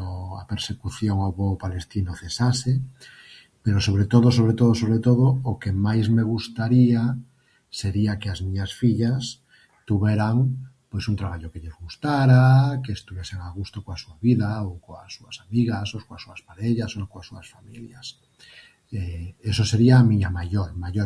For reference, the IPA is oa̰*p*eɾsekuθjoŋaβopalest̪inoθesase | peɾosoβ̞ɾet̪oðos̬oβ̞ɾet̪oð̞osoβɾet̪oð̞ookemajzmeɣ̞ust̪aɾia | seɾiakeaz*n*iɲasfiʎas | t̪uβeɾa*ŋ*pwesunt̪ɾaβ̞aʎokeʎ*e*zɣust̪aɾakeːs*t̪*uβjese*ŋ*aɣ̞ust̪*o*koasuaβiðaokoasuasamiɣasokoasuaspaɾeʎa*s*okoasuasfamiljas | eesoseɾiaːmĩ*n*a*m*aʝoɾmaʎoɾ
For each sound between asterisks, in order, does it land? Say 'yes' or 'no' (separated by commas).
yes, no, yes, yes, yes, yes, yes, yes, no, yes